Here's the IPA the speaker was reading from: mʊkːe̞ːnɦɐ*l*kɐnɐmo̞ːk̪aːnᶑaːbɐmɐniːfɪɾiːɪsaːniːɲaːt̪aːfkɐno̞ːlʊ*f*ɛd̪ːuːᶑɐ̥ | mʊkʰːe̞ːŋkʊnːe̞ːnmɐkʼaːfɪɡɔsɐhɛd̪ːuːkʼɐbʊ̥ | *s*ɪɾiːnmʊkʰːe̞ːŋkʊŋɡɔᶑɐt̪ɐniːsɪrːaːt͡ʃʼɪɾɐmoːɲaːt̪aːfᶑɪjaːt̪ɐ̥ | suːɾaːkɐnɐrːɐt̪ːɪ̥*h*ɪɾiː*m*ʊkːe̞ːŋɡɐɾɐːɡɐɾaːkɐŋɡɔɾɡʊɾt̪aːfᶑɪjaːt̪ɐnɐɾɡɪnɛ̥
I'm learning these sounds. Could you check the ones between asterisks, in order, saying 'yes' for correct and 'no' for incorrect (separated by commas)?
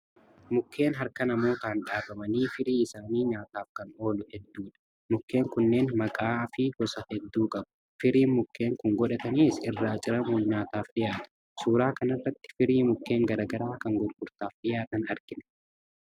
no, no, no, no, yes